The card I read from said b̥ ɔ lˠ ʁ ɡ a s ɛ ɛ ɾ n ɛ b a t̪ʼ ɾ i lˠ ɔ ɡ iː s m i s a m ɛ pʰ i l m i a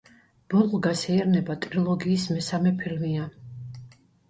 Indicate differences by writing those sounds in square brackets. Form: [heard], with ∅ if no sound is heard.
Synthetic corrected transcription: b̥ ɔ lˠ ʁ ɡ a s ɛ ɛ ɾ n ɛ b a t̪ʼ ɾ i lˠ ɔ ɡ iː s m [ɛ] s a m ɛ pʰ i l m i a

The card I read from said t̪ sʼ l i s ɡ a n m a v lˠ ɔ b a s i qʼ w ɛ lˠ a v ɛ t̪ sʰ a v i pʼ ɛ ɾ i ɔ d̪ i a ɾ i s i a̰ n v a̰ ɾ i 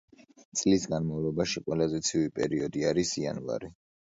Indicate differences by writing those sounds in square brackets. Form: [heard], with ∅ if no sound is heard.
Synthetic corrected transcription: t̪ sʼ l i s ɡ a n m a v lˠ ɔ b a [ʃ] i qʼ w ɛ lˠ a [z] ɛ t̪ sʰ [i] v i pʼ ɛ ɾ i ɔ d̪ i a ɾ i s i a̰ n v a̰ ɾ i

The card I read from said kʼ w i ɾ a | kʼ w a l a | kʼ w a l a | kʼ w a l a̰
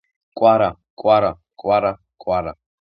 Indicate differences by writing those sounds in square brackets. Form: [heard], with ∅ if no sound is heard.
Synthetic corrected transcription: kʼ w [a] ɾ a | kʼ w a [ɾ] a | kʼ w a [ɾ] a | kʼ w a [ɾ] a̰

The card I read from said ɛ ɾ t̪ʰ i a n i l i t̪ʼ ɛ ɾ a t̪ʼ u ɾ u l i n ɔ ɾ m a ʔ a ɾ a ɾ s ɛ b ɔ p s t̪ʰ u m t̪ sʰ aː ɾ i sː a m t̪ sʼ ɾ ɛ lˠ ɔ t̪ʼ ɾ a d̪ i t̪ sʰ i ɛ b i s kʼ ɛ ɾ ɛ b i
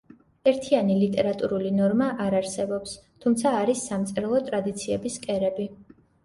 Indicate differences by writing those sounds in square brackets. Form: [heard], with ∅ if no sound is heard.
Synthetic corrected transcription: ɛ ɾ t̪ʰ i a n i l i t̪ʼ ɛ ɾ a t̪ʼ u ɾ u l i n ɔ ɾ m a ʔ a ɾ a ɾ s ɛ b ɔ p s t̪ʰ u m t̪ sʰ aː ɾ i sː a m t̪ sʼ ɾ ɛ lˠ ɔ t̪ʼ ɾ a d̪ i t̪ sʰ i ɛ b i s kʼ ɛ ɾ ɛ b i

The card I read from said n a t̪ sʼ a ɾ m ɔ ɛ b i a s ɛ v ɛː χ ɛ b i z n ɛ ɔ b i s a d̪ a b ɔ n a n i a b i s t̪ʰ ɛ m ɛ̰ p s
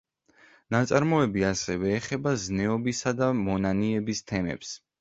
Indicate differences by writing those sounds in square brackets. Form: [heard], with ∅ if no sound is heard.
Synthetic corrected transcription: n a t̪ sʼ a ɾ m ɔ ɛ b i a s ɛ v ɛː χ ɛ b [a] z n ɛ ɔ b i s a d̪ a [m] ɔ n a n i [ɛ] b i s t̪ʰ ɛ m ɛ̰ p s

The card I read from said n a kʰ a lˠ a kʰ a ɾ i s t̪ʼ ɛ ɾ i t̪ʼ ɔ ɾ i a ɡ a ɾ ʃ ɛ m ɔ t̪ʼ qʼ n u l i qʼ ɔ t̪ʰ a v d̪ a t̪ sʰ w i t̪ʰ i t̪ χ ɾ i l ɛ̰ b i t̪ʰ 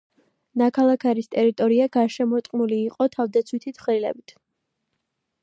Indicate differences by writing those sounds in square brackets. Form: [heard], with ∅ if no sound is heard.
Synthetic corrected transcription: n a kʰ a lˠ a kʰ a ɾ i s t̪ʼ ɛ ɾ i t̪ʼ ɔ ɾ i a ɡ a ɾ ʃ ɛ m ɔ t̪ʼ qʼ n u l [iː] qʼ ɔ t̪ʰ a v d̪ a t̪ sʰ w i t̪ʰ i t̪ χ ɾ i l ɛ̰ b i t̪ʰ

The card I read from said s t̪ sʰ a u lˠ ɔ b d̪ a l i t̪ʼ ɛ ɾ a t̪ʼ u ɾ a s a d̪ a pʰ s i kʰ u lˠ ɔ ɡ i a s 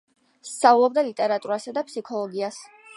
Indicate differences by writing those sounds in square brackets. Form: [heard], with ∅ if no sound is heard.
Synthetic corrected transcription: s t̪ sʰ a u lˠ ɔ b d̪ a l i t̪ʼ ɛ ɾ a t̪ʼ u ɾ a s a d̪ a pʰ s i kʰ [ɔ] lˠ ɔ ɡ i a s

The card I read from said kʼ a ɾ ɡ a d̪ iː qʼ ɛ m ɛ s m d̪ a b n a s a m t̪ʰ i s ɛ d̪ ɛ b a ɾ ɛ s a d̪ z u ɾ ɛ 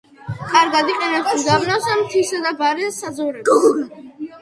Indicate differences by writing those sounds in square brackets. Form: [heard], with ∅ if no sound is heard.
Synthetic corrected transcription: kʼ a ɾ ɡ a d̪ [i] qʼ ɛ [n] ɛ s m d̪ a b n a s a m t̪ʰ i s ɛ d̪ [a] b a ɾ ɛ s a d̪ z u ɾ ɛ

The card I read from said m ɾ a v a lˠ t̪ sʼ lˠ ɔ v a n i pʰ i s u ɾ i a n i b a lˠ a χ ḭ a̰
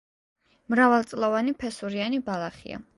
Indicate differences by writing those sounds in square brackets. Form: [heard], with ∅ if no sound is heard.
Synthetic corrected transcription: m ɾ a v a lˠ t̪ sʼ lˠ ɔ v a n i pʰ [ɛ] s u ɾ i a n i b a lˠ a χ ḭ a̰

